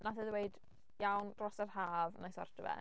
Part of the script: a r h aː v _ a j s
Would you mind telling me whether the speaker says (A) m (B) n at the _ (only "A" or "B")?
B